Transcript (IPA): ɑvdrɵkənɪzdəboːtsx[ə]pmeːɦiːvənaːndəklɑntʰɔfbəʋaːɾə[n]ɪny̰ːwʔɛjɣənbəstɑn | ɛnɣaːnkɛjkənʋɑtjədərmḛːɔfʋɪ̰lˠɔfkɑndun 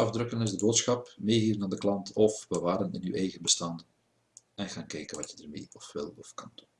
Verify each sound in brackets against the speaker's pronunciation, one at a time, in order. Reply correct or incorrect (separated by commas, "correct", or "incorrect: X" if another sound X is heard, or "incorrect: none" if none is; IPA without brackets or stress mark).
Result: incorrect: ɑ, correct